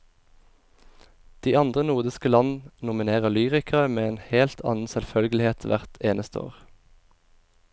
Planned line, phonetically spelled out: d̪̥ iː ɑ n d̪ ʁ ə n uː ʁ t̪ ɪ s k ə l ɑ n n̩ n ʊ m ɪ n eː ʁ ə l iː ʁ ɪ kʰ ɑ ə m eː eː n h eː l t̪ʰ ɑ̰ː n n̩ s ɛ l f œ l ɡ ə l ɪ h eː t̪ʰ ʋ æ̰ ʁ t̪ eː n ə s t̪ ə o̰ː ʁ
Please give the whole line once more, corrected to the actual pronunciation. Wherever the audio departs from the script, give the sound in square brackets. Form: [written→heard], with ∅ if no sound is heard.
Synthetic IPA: d̪̥ iː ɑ n d̪ ʁ ə n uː ʁ [t̪→d̪] ɪ s k ə l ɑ n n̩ n ʊ m ɪ n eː ʁ ə l [iː→yː] ʁ ɪ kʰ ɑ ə m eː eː n h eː l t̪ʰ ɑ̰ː n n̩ s ɛ l f œ l ɡ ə l ɪ h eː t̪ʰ ʋ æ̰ ʁ t̪ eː n ə s t̪ ə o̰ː ʁ